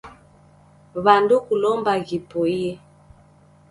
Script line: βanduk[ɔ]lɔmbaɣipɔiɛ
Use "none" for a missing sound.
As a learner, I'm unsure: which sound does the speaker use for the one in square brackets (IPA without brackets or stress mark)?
u